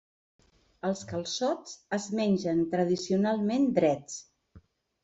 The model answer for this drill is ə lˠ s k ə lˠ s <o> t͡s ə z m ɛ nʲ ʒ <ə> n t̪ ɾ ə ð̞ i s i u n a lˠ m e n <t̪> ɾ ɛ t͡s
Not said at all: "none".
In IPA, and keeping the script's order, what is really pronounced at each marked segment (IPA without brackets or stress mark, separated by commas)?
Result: ɔ, ə, d̪